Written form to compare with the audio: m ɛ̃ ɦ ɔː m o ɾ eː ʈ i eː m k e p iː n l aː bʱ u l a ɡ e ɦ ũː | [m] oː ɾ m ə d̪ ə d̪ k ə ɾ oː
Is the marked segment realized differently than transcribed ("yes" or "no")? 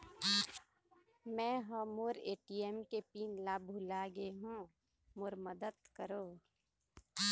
no